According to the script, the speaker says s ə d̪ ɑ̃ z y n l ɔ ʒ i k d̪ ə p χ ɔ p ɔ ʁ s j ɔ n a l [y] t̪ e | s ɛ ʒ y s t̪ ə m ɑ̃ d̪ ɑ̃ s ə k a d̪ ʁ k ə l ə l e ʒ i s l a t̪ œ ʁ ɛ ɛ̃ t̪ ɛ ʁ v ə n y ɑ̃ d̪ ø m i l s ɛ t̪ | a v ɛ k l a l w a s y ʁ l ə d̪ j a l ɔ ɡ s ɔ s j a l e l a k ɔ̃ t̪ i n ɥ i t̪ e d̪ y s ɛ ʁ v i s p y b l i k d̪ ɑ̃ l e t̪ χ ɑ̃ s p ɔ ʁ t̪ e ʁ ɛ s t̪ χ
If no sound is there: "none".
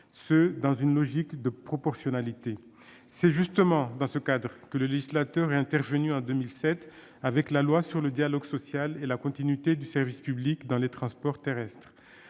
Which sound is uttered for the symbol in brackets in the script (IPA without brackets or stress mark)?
i